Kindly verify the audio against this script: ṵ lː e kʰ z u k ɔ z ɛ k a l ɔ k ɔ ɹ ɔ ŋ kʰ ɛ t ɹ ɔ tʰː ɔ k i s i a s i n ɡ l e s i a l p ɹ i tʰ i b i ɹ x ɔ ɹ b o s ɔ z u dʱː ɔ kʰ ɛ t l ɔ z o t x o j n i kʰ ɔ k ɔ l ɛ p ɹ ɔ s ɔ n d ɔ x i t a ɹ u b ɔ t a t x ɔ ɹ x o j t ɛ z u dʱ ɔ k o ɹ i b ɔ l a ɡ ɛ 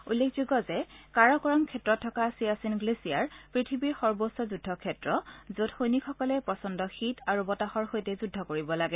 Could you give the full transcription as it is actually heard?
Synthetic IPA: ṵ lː e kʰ z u ɡ ɔ z ɛ k a ɹ ɔ k ɔ ɹ ɔ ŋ kʰ ɛ t ɹ ɔ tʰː ɔ k a s i a s i n ɡ l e s i a ɹ p ɹ i tʰ i b i ɹ x ɔ ɹ b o s ɔ z u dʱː ɔ kʰ ɛ t ɹ ɔ z o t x o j n i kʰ ɔ k ɔ l ɛ p ɹ ɔ s ɔ n d ɔ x i t a ɹ u b ɔ t a x ɔ ɹ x o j t ɛ z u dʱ ɔ k o ɹ i b ɔ l a ɡ ɛ

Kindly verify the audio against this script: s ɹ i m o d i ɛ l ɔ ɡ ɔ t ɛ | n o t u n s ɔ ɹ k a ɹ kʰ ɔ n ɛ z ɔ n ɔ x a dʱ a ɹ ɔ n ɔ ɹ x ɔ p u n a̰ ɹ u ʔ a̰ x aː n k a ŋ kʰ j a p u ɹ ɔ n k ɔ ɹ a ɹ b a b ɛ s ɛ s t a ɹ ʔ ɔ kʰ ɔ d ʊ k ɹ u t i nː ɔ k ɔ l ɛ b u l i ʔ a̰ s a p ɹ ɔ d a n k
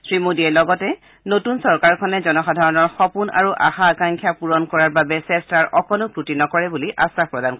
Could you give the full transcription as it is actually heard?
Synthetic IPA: s ɹ i m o d i ɛ l ɔ ɡ ɔ t ɛ | n o t u n s ɔ ɹ k a ɹ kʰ ɔ n ɛ z ɔ n ɔ x a dʱ a ɹ ɔ n ɔ ɹ x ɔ p u n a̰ ɹ u ʔ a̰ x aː k a ŋ kʰ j a p u ɹ ɔ n k ɔ ɹ a ɹ b a b ɛ s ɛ s t a ɹ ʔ ɔ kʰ ɔ n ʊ k ɹ u t i n ɔ k ɔ ɹ ɛ b u l i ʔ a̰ s a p ɹ ɔ d a n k

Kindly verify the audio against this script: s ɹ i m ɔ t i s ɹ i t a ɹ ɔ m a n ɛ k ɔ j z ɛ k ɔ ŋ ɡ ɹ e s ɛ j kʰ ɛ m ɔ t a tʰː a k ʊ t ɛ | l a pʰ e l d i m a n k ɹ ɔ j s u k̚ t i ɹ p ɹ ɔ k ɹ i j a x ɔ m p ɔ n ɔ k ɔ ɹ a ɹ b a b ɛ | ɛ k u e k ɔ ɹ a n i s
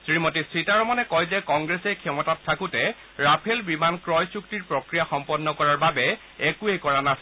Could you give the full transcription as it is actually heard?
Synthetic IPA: s ɹ i m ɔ t i s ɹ i t a ɹ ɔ m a n ɛ k ɔ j z ɛ k ɔ ŋ ɡ ɹ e s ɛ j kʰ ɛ m ɔ t a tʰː a k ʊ t ɛ | ɹ a pʰ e l b i m a n k ɹ ɔ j s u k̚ t i ɹ p ɹ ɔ k ɹ i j a x ɔ m p ɔ nː ɔ k ɔ ɹ a ɹ b a b ɛ | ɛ k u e k ɔ ɹ a n a s

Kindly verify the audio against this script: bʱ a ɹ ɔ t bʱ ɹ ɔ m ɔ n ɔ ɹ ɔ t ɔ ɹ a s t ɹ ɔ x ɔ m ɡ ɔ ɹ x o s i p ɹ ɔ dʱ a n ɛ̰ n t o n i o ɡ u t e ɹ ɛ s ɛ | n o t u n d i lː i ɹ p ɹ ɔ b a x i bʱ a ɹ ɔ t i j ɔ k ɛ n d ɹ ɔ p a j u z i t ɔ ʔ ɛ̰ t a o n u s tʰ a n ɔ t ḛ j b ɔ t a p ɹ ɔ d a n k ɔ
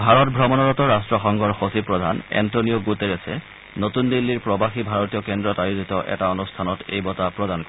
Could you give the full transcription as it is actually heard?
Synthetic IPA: bʱ a ɹ ɔ t bʱ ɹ ɔ m ɔ n ɔ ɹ ɔ t ɔ ɹ a s t ɹ ɔ x ɔ ŋ ɡ ɔ ɹ x o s i p ɹ ɔ dʱ a n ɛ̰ n t o n i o ɡ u t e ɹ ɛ s ɛ | n o t u n d i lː i ɹ p ɹ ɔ b a x i bʱ a ɹ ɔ t i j ɔ k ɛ n d ɹ ɔ t a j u z i t ɔ ʔ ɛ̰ t a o n u s tʰ a n ɔ t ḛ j b ɔ t a p ɹ ɔ d a n k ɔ

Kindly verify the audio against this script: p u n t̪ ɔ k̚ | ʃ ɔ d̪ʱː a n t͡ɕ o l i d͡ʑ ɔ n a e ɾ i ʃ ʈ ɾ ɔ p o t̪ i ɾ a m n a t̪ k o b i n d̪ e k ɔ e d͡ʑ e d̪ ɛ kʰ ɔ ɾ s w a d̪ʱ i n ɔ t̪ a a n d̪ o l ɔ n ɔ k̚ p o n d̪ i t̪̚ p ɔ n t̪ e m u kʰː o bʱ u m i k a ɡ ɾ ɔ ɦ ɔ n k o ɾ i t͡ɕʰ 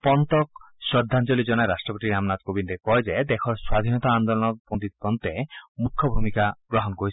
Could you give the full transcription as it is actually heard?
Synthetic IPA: p ɔ n t̪ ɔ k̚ | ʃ ɔ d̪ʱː a n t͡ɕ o l i d͡ʑ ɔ n a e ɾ a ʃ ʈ ɾ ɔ p o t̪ i ɾ a m n a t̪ k o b i n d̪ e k ɔ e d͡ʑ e d̪ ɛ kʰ ɔ ɾ s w a d̪ʱ i n ɔ t̪ a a n d̪ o l ɔ n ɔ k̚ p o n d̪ i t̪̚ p ɔ n t̪ e m u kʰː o bʱ u m i k a ɡ ɾ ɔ ɦ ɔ n k o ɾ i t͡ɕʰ

